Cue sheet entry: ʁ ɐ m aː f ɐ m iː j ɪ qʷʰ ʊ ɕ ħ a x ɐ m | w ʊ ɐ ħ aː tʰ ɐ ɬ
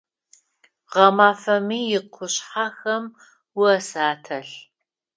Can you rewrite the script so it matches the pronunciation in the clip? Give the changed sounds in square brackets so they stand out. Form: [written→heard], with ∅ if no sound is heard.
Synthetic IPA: ʁ ɐ m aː f ɐ m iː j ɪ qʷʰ ʊ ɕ ħ a x ɐ m | w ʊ ɐ [ħ→s] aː tʰ ɐ ɬ